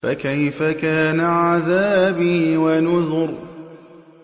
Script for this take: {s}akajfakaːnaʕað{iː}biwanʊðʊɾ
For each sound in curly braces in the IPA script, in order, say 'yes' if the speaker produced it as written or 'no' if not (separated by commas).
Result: no, no